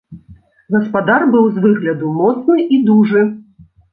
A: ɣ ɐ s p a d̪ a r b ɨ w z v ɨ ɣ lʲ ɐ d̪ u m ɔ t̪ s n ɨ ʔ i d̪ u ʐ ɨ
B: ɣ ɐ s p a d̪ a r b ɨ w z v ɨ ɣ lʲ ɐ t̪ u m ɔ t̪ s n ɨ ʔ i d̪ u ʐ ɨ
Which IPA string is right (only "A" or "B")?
A